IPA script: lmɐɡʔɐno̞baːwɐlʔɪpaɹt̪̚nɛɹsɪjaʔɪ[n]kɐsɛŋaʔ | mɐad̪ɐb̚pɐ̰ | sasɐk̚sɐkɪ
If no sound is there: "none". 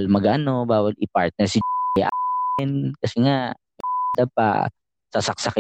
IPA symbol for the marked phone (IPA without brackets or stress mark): n